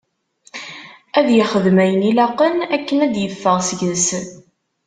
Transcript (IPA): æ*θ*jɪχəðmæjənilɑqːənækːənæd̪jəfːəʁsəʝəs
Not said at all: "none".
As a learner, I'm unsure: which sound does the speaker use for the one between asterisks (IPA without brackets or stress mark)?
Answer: ð